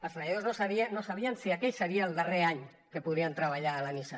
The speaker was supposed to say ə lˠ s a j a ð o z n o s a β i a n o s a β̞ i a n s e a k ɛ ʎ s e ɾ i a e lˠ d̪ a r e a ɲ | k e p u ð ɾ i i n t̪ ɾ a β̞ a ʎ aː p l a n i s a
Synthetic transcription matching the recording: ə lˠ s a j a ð o z n o s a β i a n o s a β̞ i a n s i a k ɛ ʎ s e ɾ i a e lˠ d̪ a r e a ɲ | k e p u ð ɾ i a n t̪ ɾ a β̞ a ʎ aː l a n i s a